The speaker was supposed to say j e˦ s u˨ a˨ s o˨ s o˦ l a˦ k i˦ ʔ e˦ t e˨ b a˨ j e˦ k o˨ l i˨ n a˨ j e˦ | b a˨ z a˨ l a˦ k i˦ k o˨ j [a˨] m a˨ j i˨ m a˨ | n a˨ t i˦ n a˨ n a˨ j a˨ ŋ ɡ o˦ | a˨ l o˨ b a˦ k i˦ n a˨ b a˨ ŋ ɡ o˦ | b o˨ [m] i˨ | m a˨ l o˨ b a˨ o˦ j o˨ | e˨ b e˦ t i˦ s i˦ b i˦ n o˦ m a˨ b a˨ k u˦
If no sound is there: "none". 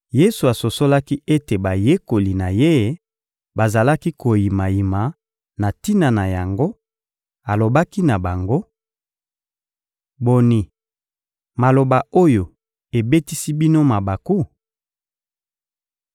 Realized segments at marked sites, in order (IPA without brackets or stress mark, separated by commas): i˨, n